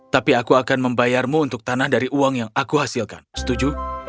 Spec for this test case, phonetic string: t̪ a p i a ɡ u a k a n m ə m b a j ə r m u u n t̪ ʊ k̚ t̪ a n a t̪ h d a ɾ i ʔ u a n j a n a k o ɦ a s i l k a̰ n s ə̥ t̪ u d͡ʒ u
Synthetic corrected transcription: t̪ a p i a k u a k a n m ə m b a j a r m u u n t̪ ʊ k̚ t̪ a n a h d a ɾ i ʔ u a ŋ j a ŋ a k u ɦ a s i l k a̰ n s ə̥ t̪ u d͡ʒ u